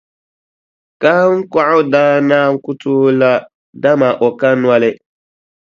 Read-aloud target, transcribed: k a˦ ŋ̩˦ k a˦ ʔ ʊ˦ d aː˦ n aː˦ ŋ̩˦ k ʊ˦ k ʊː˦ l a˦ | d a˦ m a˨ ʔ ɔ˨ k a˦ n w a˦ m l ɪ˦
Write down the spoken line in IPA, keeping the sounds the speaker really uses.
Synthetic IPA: k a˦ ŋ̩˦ k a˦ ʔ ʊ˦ d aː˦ n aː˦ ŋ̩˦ k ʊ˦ t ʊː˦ l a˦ | d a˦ m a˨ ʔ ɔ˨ k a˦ n w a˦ l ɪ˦

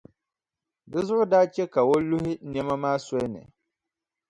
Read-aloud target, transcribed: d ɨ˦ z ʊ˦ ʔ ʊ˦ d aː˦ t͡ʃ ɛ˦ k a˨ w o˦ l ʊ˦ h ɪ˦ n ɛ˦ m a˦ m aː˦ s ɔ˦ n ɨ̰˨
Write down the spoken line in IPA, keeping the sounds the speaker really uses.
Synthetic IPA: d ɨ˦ z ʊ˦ ʔ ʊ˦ d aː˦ t͡ʃ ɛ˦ k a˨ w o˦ l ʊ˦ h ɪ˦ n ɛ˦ m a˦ m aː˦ s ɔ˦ n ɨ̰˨

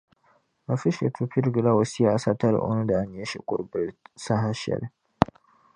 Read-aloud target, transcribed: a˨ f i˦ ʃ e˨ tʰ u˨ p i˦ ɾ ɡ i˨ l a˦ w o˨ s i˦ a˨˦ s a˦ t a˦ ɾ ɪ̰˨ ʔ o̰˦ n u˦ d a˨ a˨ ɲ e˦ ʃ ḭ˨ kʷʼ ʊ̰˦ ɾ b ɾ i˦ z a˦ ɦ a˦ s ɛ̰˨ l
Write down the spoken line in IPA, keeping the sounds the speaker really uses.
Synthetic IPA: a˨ f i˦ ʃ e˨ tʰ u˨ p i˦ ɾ ɡ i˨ l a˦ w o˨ s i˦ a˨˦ s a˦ t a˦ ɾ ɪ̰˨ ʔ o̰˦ n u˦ d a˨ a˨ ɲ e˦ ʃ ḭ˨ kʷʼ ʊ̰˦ ɾ b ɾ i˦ s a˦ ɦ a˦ ʃ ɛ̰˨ l

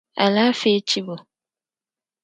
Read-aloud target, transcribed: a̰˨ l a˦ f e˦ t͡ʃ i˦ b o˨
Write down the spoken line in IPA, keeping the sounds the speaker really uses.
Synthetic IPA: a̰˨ l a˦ f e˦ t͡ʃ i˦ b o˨

